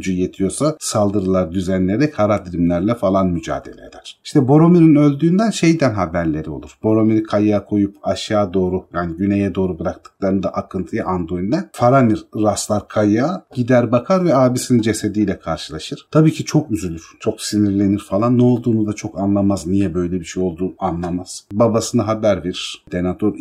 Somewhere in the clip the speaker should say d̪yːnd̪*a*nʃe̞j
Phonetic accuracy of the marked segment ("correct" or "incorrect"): incorrect